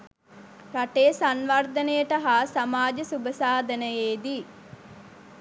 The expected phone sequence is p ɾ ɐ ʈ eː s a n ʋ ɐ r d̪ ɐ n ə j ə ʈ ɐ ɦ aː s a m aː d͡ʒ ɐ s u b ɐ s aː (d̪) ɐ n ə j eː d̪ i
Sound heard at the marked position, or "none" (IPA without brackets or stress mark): d̪